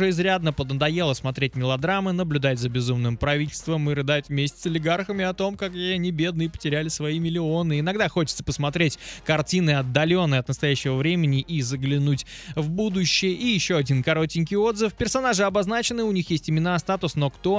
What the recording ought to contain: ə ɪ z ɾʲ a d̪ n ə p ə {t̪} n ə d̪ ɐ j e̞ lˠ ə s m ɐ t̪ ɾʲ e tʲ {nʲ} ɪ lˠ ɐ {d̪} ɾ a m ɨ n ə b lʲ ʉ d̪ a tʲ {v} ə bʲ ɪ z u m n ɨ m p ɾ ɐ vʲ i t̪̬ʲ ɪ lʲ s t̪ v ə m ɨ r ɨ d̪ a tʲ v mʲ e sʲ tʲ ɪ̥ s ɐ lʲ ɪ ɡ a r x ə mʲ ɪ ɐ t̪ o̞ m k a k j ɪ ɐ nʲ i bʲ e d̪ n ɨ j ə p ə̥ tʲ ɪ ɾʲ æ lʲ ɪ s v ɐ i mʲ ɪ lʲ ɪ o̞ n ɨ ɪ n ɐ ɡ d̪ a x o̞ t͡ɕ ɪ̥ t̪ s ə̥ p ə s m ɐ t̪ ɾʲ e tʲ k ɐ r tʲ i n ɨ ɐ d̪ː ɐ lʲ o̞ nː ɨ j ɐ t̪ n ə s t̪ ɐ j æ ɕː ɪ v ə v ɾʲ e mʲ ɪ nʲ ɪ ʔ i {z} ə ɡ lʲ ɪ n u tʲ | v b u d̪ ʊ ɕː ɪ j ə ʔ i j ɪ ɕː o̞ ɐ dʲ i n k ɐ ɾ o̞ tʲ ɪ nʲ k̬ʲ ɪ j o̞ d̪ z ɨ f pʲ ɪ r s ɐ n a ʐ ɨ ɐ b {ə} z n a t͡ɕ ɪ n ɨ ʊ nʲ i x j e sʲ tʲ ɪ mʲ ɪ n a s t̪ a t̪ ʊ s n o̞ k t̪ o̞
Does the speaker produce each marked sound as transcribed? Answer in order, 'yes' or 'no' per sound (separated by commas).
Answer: no, no, yes, no, yes, no